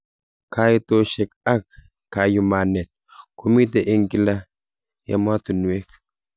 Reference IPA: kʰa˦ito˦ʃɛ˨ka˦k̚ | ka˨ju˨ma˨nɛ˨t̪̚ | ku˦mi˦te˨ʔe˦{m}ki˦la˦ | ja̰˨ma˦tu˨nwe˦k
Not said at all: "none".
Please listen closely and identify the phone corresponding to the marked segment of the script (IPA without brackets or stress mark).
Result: ŋ